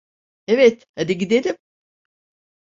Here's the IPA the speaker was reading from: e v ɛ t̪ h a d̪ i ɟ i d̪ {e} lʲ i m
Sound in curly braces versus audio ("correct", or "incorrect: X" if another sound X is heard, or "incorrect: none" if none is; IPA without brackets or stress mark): correct